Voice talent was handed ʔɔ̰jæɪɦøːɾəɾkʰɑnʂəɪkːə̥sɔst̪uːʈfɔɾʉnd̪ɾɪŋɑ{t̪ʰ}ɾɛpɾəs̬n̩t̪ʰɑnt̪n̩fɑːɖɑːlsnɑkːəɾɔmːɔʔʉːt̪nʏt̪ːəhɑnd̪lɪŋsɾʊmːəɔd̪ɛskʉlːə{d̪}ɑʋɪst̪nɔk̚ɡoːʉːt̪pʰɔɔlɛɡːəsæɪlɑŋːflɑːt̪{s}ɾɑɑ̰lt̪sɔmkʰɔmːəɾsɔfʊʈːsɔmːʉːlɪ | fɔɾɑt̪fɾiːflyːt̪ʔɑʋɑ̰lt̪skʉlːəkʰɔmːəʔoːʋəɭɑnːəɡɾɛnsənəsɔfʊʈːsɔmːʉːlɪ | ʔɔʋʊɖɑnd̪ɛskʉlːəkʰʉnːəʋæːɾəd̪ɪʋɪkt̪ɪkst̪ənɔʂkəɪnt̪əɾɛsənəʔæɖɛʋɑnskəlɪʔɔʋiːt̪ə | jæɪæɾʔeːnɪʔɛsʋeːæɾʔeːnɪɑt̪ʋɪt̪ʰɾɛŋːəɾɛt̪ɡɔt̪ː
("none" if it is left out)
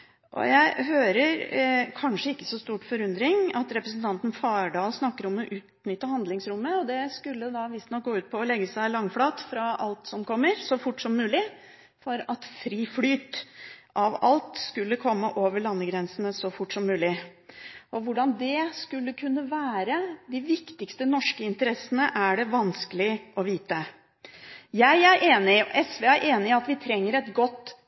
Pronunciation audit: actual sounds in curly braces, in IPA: t̪, d̪, f

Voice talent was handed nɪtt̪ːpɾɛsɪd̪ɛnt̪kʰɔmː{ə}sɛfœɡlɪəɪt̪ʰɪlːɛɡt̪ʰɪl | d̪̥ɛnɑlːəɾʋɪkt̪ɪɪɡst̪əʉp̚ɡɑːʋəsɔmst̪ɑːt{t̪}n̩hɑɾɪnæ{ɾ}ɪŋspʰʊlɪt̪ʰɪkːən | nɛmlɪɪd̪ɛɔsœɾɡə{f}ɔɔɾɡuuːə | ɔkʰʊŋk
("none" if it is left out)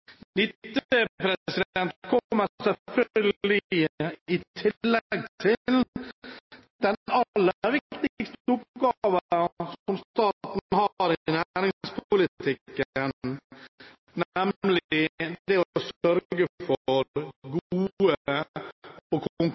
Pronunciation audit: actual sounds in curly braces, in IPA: ə, t̪, ɾ, f

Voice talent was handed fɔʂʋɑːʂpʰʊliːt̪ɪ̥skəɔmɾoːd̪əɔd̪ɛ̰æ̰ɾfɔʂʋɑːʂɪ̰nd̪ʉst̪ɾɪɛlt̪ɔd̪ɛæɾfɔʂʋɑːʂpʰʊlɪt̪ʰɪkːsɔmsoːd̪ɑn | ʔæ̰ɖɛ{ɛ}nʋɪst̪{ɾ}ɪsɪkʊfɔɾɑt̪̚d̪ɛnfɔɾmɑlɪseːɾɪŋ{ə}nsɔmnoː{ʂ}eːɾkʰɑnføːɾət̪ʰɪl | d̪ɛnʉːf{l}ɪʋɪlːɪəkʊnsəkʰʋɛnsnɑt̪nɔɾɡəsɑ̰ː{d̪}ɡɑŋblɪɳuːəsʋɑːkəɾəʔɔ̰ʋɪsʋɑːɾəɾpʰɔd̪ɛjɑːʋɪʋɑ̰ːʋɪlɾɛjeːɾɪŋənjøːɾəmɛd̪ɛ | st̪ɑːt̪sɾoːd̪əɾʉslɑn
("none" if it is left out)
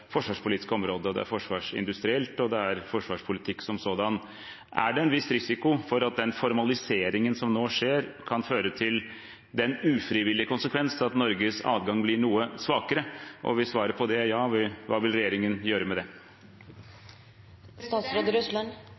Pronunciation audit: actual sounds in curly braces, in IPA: ɛ, ɾ, ə, ʂ, ɾ, d̪

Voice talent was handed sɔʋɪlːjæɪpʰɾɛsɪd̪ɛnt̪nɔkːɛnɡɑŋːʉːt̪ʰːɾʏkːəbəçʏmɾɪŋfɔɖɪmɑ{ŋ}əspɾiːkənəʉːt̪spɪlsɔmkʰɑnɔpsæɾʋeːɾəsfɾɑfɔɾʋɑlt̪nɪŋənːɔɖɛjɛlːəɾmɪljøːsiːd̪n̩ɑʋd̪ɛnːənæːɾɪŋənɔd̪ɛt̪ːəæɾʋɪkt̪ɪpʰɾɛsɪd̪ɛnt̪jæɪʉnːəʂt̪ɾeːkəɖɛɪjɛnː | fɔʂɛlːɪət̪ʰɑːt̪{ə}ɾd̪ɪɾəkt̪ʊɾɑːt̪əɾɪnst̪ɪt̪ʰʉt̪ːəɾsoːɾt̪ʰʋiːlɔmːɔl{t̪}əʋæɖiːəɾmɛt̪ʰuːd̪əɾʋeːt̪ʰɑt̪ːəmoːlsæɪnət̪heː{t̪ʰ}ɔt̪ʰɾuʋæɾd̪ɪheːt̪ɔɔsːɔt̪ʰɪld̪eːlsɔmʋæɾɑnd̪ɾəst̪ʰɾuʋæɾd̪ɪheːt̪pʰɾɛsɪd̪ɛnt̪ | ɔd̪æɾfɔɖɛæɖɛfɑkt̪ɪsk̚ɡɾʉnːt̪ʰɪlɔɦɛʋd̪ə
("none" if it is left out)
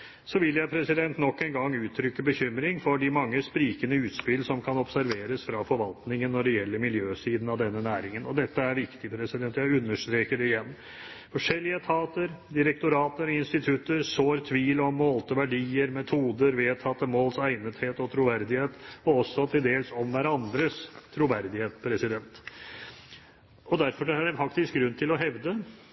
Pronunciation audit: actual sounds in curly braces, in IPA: ŋː, ə, t̪, t̪

